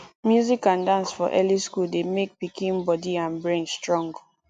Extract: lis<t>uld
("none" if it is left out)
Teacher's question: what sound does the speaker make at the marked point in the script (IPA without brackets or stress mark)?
k